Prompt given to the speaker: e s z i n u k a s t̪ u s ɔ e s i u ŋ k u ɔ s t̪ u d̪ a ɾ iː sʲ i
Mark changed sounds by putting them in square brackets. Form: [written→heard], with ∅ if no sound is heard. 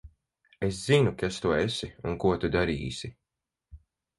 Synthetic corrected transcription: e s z i n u k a s t̪ u [s→∅] ɔ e s i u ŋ k u ɔ [s→∅] t̪ u d̪ a ɾ iː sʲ i